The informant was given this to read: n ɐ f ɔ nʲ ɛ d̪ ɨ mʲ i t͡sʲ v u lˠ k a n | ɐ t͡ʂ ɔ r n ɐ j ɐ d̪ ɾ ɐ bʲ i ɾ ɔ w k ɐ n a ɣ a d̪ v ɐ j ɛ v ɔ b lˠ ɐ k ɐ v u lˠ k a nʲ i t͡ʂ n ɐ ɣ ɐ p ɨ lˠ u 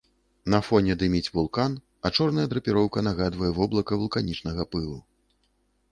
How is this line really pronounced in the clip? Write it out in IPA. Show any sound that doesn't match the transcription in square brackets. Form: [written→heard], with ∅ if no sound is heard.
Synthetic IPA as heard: n ɐ f ɔ nʲ ɛ d̪ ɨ mʲ i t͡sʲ v u lˠ k a n | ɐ t͡ʂ ɔ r n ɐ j ɐ d̪ ɾ ɐ [bʲ→pʲ] i ɾ ɔ w k ɐ n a ɣ a d̪ v ɐ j ɛ v ɔ b lˠ ɐ k ɐ v u lˠ k a nʲ i t͡ʂ n ɐ ɣ ɐ p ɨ lˠ u